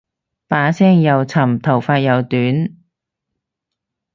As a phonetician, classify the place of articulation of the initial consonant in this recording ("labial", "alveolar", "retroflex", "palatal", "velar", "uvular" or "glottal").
labial